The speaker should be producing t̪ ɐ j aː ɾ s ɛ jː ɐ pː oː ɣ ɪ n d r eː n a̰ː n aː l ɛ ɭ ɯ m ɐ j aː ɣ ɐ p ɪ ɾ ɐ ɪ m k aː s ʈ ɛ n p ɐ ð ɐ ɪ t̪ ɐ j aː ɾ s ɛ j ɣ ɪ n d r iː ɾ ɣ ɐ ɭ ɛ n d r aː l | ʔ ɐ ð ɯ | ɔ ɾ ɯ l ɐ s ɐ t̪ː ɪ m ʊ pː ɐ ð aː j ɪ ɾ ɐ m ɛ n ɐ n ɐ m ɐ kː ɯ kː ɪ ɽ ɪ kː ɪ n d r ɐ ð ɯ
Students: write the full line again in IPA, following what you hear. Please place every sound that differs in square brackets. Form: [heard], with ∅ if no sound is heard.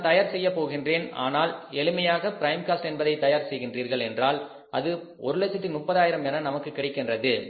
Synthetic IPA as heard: t̪ ɐ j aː ɾ s ɛ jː ɐ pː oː ɣ ɪ n d r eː n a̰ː n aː l ɛ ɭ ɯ m ɐ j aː ɣ ɐ p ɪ ɾ ɐ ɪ m k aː s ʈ ɛ n [b] ɐ ð ɐ ɪ t̪ ɐ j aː ɾ s ɛ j ɣ ɪ n d r iː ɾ ɣ ɐ ɭ ɛ n d r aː l | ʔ ɐ ð ɯ | ɔ ɾ ɯ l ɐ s ɐ t̪ː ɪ m ʊ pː ɐ ð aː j ɪ ɾ ɐ m ɛ n ɐ n ɐ m ɐ kː ɯ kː ɪ ɽ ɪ kː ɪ n d r ɐ ð ɯ